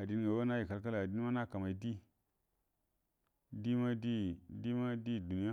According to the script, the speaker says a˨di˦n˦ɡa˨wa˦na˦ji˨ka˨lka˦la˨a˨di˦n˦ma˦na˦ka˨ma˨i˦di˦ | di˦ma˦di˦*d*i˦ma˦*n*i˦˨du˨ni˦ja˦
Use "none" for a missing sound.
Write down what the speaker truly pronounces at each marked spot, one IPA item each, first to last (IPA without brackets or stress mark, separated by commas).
d, d